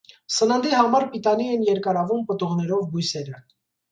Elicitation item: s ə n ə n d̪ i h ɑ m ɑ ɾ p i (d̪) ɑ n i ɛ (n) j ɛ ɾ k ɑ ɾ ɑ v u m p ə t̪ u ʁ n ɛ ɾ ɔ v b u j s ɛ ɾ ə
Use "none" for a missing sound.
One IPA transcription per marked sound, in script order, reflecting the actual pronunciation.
t̪, n

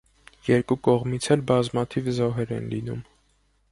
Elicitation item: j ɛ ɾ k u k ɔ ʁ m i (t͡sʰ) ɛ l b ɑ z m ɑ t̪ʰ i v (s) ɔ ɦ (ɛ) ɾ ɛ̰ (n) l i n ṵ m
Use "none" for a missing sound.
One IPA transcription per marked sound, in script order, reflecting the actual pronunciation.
t͡sʰ, z, ɛ, n

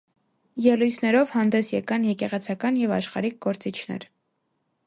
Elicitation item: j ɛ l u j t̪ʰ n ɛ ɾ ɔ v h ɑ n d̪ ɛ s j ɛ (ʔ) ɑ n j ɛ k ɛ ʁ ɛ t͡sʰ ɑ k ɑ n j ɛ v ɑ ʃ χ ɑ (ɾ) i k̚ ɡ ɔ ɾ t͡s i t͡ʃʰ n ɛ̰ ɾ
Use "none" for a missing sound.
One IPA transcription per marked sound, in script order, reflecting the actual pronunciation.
k, ɾ

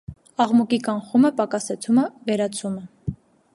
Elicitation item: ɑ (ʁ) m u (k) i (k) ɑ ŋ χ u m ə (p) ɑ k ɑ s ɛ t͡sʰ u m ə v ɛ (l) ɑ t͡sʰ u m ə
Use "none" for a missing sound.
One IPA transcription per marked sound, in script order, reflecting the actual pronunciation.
ʁ, k, k, p, ɾ

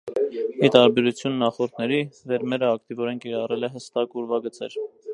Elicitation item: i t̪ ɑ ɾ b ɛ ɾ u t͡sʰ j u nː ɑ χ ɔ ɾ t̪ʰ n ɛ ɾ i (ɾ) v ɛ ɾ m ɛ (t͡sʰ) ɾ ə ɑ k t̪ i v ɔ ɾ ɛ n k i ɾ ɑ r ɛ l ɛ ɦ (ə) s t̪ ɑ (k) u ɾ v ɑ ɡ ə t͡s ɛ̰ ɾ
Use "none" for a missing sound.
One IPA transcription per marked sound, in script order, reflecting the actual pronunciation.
none, none, ə, k

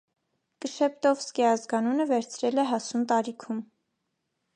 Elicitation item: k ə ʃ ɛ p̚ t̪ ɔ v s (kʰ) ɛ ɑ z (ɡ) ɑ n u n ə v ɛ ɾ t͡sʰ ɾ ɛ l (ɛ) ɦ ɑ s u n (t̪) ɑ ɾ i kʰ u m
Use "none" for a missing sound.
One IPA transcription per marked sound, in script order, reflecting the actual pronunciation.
k, ɡ, ɛ, t̪

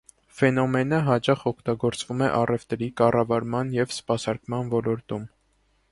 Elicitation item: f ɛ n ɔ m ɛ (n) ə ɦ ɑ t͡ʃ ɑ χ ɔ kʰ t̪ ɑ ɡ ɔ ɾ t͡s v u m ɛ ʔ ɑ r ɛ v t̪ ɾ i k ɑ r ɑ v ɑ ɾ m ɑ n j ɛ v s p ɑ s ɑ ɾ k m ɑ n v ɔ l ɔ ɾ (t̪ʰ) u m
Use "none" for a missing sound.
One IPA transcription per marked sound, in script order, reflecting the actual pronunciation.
n, t̪

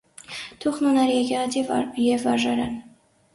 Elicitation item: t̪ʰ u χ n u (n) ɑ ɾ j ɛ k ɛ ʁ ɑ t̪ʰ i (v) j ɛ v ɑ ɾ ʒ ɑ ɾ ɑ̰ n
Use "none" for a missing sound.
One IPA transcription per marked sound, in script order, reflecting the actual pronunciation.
n, v

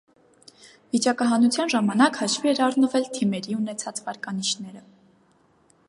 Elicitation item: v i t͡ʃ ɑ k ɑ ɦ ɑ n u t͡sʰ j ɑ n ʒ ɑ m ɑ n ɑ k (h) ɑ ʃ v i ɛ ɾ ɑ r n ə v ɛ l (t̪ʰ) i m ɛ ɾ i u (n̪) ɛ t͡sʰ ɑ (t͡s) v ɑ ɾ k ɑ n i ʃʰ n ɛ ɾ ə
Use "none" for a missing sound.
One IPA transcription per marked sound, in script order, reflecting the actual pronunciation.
h, t̪ʰ, n̪, t͡s

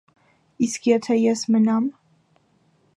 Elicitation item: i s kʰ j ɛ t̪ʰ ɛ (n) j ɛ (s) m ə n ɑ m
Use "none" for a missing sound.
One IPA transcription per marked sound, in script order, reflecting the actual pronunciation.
none, s

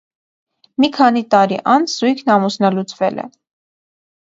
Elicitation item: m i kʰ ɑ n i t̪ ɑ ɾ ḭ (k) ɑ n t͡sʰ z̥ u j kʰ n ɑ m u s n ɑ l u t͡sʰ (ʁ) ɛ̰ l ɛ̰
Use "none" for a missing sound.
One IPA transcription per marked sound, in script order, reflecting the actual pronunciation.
ʔ, v

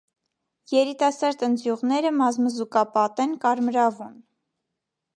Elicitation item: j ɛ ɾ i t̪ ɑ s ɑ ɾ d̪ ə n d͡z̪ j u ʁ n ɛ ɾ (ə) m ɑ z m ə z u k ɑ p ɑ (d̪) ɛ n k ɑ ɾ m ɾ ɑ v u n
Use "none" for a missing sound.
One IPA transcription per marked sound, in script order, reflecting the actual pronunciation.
ə, t̪

